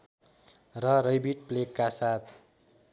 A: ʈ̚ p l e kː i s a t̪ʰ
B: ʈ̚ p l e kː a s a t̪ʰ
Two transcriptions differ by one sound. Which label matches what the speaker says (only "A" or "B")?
B